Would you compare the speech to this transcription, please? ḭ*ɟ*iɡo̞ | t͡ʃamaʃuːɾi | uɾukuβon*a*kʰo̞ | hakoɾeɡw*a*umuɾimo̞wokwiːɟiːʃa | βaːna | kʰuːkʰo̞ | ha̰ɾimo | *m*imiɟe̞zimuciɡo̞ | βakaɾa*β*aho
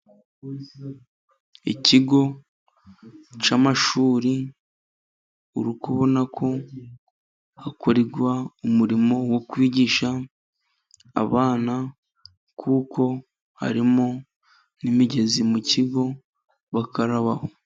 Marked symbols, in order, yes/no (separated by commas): no, yes, yes, no, yes